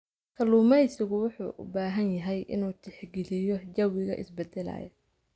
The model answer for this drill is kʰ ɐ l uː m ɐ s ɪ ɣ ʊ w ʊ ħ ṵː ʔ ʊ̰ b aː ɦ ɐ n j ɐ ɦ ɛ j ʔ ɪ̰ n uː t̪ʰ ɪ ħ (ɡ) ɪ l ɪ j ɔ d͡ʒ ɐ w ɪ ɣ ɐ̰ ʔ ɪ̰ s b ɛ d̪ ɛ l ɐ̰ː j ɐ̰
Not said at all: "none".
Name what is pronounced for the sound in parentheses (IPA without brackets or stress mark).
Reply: ɡ